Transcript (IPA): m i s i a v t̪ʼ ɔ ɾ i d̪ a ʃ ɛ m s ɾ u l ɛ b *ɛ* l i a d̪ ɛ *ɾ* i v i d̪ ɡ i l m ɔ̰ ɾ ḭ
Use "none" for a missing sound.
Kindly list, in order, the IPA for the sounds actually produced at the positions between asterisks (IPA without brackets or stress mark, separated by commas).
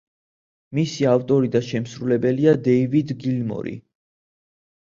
ɛ, none